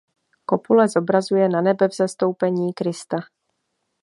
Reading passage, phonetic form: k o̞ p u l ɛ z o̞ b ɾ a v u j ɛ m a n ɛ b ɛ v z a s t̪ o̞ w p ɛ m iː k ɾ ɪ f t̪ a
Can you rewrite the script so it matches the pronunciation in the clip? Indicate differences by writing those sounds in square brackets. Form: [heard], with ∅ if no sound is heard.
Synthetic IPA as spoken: k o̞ p u l ɛ z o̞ b ɾ a [z] u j ɛ [n] a n ɛ b ɛ v z [ɛ] s t̪ o̞ w p ɛ [ɲ] iː k ɾ ɪ [s] t̪ a